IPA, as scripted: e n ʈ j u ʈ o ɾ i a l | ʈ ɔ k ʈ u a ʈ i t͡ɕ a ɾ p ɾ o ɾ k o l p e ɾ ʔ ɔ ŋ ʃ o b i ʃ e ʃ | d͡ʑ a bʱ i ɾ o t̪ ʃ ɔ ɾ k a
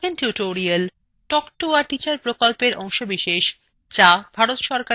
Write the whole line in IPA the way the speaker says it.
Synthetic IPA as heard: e n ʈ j u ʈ o ɾ i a l | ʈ ɔ k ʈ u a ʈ i t͡ɕ a ɾ p ɾ o k o l p e ɾ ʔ ɔ ŋ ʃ o b i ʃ e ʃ | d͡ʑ a bʱ a ɾ o t̪ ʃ ɔ ɾ k a